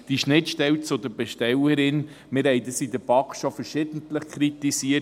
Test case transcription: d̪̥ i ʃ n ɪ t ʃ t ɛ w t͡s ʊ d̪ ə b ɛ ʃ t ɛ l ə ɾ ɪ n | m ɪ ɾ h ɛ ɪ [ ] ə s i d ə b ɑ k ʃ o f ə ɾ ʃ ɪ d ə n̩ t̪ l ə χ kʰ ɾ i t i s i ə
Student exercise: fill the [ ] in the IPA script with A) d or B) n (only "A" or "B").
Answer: A